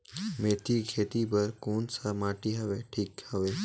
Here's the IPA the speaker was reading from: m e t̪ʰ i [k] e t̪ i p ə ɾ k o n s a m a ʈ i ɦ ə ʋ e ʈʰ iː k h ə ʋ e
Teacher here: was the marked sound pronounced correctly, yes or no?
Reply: no